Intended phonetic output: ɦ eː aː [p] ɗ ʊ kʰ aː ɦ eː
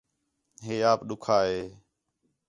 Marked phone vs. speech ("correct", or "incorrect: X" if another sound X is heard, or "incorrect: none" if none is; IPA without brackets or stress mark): correct